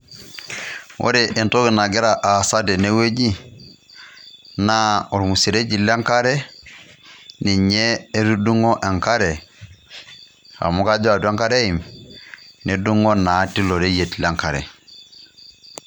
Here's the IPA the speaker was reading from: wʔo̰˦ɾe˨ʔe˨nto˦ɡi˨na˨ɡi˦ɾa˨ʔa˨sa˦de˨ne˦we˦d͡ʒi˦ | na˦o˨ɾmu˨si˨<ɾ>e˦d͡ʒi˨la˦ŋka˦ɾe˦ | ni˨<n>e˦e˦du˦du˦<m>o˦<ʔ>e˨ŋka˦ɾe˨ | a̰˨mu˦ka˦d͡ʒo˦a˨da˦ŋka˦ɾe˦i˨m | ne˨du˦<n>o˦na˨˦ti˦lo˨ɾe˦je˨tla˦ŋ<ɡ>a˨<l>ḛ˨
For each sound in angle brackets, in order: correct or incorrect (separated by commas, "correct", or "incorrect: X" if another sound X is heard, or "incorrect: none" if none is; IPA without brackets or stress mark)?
correct, incorrect: ɲ, incorrect: ŋ, correct, incorrect: ŋ, incorrect: k, incorrect: ɾ